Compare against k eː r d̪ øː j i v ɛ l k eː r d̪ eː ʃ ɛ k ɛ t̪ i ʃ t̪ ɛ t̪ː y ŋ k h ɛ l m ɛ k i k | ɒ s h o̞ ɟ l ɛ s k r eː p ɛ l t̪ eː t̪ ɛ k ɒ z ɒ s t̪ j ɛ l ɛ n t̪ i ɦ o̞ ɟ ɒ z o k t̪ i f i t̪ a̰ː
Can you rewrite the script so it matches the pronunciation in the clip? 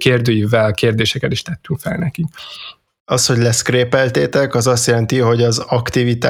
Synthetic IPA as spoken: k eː r d̪ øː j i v ɛ l k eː r d̪ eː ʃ ɛ k ɛ t̪ i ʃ t̪ ɛ t̪ː y ŋ k f ɛ l n ɛ k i k | ɒ s h o̞ ɟ l ɛ s k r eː p ɛ l t̪ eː t̪ ɛ k ɒ z ɒ s t̪ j ɛ l ɛ n t̪ i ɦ o̞ ɟ ɒ z ɒ k t̪ i v i t̪ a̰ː